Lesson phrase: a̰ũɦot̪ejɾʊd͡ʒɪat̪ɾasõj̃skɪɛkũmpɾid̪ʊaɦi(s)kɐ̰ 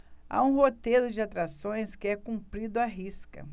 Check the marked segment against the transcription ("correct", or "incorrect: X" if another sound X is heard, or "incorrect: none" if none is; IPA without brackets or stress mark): correct